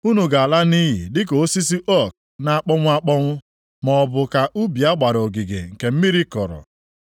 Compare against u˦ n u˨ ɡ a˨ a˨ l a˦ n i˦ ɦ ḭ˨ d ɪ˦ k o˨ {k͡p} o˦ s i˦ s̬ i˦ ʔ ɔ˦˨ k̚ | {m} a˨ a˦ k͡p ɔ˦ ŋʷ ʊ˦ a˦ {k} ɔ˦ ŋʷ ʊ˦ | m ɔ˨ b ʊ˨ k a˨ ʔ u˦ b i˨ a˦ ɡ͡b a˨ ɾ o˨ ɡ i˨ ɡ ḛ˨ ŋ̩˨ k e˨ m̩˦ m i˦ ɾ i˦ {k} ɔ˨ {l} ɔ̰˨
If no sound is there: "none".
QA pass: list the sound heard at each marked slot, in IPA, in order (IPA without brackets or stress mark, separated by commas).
none, n, k͡p, k, ɾ